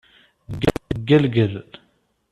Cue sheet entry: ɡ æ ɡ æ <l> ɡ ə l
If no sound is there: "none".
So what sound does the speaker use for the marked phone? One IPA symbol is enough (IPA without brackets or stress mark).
l